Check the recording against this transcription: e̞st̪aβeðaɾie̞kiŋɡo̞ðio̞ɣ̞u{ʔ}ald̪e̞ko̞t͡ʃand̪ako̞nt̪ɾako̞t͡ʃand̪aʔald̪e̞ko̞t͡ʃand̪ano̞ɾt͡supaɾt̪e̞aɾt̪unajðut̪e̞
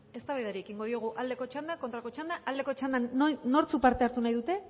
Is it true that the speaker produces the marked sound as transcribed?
yes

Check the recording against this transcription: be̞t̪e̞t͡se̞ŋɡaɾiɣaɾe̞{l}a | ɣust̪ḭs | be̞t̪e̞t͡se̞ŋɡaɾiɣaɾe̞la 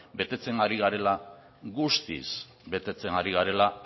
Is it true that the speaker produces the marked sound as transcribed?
yes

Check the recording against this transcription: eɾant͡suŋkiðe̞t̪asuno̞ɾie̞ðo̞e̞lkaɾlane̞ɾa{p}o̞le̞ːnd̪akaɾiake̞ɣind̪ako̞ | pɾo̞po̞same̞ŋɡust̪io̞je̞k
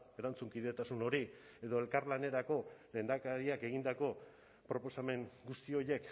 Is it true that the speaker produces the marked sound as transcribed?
no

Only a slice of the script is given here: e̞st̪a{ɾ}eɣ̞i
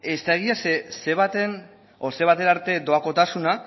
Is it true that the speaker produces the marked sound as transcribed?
no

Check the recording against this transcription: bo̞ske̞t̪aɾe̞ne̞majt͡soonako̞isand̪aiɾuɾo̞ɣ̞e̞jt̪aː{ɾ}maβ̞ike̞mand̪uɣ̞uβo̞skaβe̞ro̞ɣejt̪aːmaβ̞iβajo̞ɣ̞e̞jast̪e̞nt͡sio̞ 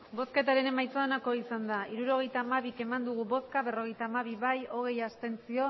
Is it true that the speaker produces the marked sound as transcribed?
no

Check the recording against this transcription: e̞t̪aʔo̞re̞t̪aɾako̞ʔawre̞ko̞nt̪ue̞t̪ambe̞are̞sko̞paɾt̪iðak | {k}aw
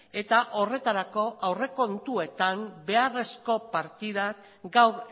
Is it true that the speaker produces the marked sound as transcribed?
no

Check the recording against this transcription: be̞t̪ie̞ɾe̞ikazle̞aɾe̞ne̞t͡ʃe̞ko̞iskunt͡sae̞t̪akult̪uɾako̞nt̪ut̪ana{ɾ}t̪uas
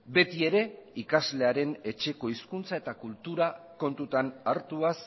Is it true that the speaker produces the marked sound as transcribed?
yes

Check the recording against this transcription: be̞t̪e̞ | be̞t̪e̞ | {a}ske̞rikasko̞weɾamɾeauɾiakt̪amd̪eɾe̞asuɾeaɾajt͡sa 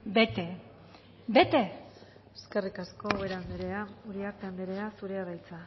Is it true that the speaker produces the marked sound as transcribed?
no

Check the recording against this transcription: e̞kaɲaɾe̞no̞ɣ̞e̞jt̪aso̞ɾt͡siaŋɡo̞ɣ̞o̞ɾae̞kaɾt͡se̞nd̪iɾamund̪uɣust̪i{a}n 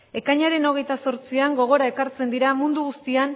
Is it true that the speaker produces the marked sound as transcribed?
yes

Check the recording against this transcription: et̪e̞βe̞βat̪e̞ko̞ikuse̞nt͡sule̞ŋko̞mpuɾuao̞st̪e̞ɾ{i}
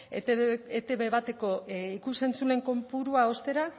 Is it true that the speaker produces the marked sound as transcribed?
no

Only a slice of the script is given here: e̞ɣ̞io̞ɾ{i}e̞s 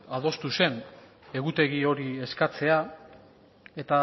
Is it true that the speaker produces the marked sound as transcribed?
yes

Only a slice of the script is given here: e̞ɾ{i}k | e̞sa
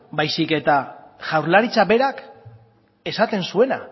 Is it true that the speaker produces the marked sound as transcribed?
no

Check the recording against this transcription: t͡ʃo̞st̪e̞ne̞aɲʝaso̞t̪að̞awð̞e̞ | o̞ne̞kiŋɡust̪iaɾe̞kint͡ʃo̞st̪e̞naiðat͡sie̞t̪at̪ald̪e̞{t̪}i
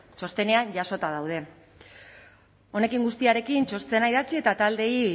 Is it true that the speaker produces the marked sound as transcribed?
no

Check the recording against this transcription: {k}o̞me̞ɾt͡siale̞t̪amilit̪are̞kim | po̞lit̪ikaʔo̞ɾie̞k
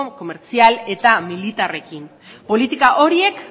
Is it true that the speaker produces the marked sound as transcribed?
yes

